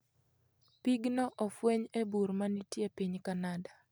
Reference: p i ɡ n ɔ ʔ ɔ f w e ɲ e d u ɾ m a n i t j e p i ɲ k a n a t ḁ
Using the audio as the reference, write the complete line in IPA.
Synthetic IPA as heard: p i ɡ n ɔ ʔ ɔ f w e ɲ e b u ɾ m a n i t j e p i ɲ k a n a d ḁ